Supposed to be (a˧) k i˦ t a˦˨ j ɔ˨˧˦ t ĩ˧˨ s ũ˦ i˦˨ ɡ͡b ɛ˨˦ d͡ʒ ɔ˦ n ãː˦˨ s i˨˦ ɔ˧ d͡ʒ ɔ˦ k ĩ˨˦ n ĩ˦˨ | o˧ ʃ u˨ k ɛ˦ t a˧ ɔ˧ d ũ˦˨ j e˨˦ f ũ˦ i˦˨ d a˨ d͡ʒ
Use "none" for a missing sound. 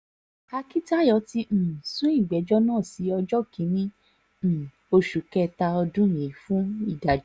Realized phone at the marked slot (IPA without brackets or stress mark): a˧